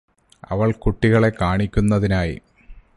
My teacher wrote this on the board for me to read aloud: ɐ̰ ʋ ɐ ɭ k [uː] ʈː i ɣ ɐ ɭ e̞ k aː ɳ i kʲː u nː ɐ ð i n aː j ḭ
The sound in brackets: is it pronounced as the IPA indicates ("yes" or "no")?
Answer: no